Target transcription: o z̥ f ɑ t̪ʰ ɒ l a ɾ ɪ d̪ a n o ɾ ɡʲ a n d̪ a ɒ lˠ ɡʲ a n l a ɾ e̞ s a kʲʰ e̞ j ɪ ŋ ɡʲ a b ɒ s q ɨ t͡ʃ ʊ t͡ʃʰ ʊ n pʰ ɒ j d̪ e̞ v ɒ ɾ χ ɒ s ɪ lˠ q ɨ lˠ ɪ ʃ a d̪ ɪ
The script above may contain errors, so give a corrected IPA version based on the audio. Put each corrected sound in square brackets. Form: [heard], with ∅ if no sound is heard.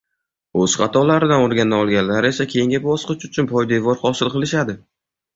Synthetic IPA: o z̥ [χ] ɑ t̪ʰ ɒ l a ɾ ɪ d̪ a n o ɾ ɡʲ a n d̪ a ɒ lˠ ɡʲ a n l a ɾ e̞ s a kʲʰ e̞ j ɪ ŋ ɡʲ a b ɒ s q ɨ t͡ʃ ʊ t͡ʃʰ ʊ n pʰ ɒ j d̪ e̞ v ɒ ɾ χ ɒ s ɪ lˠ q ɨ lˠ ɪ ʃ a d̪ ɪ